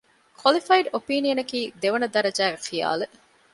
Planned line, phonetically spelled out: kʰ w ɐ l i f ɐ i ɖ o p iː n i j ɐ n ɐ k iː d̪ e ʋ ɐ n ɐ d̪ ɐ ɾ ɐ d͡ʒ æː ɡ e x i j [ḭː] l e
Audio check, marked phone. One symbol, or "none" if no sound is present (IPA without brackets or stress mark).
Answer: a̰ː